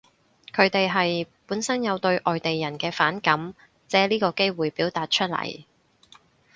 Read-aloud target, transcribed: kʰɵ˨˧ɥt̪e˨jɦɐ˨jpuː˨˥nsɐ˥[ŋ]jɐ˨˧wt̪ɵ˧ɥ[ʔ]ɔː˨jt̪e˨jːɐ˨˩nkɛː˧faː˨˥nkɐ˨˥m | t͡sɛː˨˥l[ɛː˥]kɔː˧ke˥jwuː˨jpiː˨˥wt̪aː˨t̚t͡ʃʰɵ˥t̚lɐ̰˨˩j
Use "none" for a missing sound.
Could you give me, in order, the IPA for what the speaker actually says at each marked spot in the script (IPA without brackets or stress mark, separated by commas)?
n, ʔ, iː˥